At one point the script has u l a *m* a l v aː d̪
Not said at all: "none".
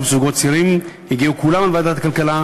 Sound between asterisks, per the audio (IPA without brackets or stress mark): m